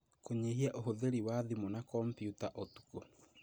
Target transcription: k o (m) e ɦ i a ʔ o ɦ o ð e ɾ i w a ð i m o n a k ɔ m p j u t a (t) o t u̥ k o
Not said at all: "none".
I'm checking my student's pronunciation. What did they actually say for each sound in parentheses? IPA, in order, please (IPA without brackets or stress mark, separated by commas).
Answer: ɲ, ʔ